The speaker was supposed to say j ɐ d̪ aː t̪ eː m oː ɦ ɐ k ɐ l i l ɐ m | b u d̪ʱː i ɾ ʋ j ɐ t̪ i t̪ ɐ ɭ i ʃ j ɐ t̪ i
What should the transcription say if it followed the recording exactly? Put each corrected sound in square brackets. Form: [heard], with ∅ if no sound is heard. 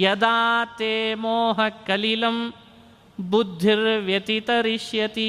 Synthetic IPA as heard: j ɐ d̪ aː t̪ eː m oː ɦ ɐ k ɐ l i l ɐ m | b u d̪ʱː i ɾ ʋ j ɐ t̪ i t̪ ɐ [ɾ] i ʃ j ɐ t̪ i